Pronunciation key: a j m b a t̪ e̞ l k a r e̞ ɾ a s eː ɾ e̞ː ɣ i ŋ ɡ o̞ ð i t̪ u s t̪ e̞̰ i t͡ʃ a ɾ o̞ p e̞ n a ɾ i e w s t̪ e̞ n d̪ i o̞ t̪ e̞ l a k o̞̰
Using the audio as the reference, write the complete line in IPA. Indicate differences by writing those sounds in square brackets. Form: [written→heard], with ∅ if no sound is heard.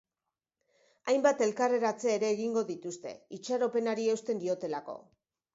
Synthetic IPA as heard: a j m b a t̪ e̞ l k a r e̞ ɾ a [s→t͡s] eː ɾ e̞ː ɣ i ŋ ɡ o̞ ð i t̪ u s t̪ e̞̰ i t͡ʃ a ɾ o̞ p e̞ n a ɾ i e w s t̪ e̞ n d̪ i o̞ t̪ e̞ l a k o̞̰